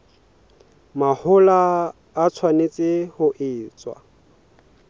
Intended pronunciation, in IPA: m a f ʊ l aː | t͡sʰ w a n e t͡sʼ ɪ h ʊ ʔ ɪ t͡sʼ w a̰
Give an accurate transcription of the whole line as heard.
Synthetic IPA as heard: m a h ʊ l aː | t͡sʰ w a n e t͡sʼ ɪ h ʊ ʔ ɪː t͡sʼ w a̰